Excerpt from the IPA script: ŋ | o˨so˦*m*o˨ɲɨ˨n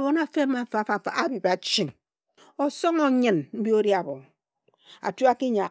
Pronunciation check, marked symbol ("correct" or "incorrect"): incorrect